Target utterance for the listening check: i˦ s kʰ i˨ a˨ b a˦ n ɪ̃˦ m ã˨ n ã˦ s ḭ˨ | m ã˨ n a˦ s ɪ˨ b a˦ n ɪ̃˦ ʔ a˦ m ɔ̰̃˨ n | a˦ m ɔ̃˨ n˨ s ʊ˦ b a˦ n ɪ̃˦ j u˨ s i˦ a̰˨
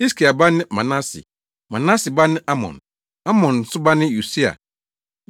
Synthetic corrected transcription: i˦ s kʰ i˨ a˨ b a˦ n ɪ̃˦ m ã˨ n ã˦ s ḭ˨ | m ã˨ n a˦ s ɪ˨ b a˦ n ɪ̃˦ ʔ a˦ m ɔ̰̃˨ n | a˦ m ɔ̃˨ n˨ s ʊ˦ b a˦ n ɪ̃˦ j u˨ s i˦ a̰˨